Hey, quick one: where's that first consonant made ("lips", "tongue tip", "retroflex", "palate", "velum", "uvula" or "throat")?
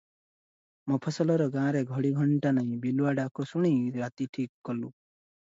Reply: lips